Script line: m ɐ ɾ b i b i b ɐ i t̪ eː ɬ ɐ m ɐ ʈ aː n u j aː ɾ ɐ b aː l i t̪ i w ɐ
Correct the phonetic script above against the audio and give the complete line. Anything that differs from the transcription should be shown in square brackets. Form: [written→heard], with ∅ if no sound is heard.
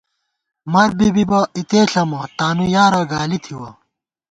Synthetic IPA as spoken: m ɐ ɾ b i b i b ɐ i t̪ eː ɬ ɐ m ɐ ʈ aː n u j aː ɾ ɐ [b→ɡ] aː l i [t̪→t̪ʰ] i w ɐ

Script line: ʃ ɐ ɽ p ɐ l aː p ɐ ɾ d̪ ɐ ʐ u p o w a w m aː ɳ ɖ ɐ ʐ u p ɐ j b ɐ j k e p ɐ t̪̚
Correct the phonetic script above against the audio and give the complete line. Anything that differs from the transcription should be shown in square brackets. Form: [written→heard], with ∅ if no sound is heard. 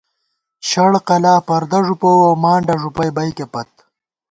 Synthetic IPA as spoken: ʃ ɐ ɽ [p→q] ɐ l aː p ɐ ɾ d̪ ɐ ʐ u p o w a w m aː ɳ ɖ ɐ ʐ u p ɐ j b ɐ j k e p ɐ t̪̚

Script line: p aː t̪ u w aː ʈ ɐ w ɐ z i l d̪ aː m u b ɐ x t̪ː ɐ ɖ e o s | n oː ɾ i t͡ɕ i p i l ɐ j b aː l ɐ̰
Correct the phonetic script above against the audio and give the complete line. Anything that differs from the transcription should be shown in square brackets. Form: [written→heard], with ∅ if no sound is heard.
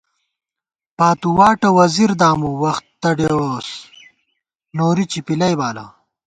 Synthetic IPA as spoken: p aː t̪ u w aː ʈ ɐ w ɐ z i [l→ɾ] d̪ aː m u [b→w] ɐ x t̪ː ɐ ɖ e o s | n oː ɾ i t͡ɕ i p i l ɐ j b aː l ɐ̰

